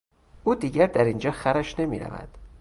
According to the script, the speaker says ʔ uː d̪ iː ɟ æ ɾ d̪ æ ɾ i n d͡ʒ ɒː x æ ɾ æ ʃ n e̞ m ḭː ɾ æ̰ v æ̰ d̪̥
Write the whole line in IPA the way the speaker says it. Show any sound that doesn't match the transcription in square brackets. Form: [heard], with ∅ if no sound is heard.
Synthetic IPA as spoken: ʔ uː d̪ iː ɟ æ ɾ d̪ æ ɾ i n d͡ʒ ɒː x æ ɾ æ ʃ n e̞ m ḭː ɾ æ̰ v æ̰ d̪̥